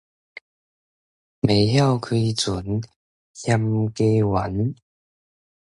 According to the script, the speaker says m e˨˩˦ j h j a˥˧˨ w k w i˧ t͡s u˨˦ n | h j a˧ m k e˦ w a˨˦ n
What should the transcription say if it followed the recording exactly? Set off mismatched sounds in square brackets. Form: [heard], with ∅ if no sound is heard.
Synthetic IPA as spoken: m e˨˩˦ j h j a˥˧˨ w [kʰ] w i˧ t͡s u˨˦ n | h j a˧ m k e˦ w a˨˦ n